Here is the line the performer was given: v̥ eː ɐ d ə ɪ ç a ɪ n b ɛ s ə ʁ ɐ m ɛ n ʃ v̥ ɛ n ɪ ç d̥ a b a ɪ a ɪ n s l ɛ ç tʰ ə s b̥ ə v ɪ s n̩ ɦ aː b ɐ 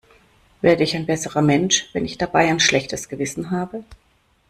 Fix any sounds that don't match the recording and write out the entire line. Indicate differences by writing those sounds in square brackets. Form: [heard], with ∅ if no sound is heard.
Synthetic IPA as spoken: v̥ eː ɐ d ə ɪ ç a ɪ n b ɛ s ə ʁ ɐ m ɛ n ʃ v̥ ɛ n ɪ ç d̥ a b a ɪ a ɪ n [ʃ] l ɛ ç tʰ ə s [ɡ̥] ə v ɪ s n̩ ɦ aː b [ə]